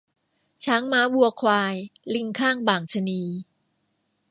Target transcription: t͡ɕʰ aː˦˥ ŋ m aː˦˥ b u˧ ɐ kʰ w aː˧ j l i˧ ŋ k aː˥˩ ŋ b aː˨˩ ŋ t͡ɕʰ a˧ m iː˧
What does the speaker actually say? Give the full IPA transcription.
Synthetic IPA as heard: t͡ɕʰ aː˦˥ ŋ m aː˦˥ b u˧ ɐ kʰ w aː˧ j l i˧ ŋ kʰ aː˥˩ ŋ b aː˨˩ ŋ t͡ɕʰ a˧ n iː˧